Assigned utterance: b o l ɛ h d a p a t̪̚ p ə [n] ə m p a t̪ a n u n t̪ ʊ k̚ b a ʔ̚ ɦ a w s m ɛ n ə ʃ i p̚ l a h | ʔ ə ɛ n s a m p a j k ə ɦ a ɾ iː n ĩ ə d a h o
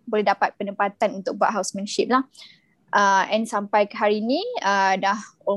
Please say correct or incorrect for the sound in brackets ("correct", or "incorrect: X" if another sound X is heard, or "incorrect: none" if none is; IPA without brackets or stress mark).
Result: correct